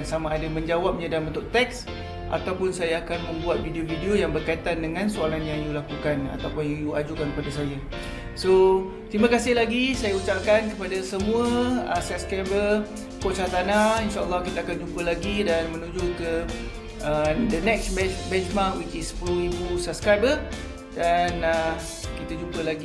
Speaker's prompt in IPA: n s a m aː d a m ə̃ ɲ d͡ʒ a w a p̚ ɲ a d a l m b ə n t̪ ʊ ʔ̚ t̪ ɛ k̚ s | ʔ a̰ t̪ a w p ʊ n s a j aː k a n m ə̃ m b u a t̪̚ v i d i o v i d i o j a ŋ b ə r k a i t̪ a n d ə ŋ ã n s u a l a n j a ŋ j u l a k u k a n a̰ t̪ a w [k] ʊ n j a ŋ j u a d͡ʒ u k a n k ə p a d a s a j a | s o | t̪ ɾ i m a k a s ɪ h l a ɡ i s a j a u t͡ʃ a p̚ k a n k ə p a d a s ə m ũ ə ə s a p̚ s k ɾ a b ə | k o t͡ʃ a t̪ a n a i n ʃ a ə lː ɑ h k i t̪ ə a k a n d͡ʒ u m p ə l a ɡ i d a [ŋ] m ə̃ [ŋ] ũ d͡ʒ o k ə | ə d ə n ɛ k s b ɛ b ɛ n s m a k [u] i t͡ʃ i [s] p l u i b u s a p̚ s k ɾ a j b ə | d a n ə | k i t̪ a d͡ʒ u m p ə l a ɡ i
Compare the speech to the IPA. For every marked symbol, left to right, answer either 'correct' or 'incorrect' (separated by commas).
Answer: incorrect, incorrect, incorrect, incorrect, correct